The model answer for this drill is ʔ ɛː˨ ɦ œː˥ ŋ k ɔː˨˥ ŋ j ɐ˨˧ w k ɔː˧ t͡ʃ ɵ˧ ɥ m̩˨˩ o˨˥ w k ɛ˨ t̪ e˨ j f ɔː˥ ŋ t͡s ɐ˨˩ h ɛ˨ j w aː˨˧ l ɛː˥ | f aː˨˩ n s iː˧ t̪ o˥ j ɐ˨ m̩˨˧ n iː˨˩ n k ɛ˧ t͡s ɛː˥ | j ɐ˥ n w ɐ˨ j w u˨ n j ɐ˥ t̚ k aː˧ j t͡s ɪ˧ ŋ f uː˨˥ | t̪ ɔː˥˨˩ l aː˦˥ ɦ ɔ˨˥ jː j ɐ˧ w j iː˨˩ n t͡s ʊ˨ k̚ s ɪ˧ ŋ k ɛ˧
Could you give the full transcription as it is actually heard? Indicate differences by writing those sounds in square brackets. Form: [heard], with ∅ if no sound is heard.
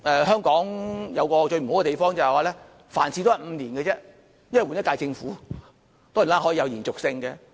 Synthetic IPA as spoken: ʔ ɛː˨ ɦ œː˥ ŋ k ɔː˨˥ ŋ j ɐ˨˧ w k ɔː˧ t͡ʃ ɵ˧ ɥ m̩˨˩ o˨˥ w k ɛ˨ t̪ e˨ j f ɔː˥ ŋ t͡s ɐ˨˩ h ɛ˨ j w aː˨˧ l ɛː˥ | f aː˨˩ n s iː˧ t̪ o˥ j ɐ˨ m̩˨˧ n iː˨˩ n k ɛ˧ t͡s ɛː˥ | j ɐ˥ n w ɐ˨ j w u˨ n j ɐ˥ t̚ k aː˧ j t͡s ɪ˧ ŋ f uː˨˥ | t̪ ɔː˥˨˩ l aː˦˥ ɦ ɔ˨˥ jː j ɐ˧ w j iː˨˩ n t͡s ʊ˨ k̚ s ɪ˧ ŋ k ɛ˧

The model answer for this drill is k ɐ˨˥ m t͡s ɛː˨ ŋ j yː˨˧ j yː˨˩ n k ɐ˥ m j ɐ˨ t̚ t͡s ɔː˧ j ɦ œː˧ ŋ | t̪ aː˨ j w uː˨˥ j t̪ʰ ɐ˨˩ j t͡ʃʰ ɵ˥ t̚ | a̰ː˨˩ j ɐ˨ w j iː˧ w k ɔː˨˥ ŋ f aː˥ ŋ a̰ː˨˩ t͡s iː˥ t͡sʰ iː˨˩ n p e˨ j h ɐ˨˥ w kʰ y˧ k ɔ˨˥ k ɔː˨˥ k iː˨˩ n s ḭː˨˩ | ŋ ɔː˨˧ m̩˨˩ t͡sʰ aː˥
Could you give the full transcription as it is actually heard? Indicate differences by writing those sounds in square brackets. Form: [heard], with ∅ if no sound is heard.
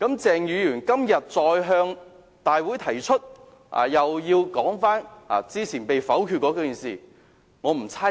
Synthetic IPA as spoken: k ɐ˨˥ m t͡s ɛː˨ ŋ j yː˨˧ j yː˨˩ n k ɐ˥ m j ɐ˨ t̚ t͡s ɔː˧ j ɦ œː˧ ŋ | t̪ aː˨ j w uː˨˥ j t̪ʰ ɐ˨˩ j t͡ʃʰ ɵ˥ t̚ | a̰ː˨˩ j ɐ˨ w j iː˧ w k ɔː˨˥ ŋ f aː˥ [n] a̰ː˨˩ t͡s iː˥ t͡sʰ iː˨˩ n p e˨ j [f] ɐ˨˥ w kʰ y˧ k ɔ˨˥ k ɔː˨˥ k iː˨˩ n s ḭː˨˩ | ŋ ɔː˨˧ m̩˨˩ t͡sʰ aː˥

